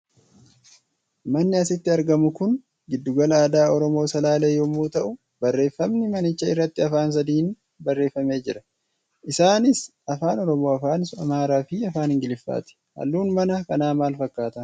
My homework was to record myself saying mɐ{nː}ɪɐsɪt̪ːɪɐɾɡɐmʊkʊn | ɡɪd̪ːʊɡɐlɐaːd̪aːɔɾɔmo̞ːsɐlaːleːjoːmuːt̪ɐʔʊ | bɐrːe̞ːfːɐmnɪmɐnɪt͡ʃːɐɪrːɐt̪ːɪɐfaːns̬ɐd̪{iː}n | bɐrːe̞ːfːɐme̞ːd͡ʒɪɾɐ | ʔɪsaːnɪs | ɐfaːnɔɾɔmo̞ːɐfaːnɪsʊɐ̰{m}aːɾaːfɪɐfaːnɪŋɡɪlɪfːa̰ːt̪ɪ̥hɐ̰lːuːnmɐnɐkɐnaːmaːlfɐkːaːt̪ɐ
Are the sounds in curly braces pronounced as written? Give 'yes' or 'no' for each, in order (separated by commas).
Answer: yes, yes, yes